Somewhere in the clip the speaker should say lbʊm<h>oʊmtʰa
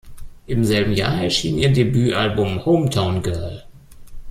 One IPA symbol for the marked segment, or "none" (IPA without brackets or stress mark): h